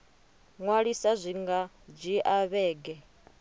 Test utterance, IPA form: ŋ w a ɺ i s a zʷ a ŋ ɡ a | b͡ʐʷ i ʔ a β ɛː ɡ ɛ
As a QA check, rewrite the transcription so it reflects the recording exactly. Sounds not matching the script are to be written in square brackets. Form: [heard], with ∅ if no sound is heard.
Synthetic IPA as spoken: ŋ w a ɺ i s a zʷ [i] ŋ ɡ a | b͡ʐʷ i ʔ a β ɛː ɡ ɛ